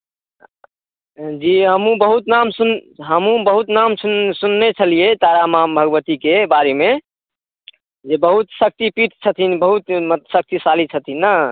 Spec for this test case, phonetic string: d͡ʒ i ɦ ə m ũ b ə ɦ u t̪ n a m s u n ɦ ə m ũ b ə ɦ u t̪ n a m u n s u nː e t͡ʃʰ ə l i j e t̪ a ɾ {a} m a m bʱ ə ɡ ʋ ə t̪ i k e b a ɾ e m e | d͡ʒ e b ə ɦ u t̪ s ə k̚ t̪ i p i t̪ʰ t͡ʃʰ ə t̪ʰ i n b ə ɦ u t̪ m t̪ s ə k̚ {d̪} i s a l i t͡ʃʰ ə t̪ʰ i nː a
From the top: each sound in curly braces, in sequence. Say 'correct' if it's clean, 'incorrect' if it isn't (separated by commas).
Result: correct, incorrect